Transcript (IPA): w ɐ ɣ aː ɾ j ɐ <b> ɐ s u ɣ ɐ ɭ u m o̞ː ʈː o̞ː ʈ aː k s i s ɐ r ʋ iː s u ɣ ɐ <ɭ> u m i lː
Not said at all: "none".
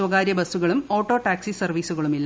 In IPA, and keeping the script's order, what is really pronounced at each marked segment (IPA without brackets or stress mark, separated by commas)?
b, ɭ